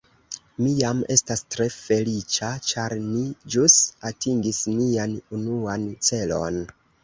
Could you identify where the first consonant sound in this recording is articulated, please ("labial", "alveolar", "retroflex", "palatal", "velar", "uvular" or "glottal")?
labial